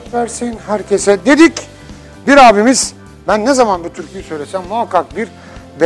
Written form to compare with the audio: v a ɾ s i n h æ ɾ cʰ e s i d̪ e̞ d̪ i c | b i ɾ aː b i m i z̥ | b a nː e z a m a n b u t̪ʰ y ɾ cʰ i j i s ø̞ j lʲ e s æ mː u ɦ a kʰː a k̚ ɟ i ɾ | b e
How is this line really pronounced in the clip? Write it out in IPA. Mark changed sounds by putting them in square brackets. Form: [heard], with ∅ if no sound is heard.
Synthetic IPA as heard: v [æ] ɾ s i n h æ ɾ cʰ e s [ɛ] d̪ e̞ d̪ i c | b i ɾ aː b i m i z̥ | b [æ] nː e z a m a n b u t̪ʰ y ɾ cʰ i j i s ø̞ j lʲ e s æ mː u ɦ a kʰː a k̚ [b] i ɾ | b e